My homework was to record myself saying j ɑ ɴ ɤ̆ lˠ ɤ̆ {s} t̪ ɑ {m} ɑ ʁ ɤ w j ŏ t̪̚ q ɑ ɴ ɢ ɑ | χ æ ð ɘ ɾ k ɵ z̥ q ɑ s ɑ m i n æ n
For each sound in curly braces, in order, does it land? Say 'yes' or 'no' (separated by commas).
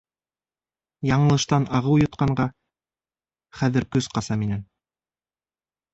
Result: no, no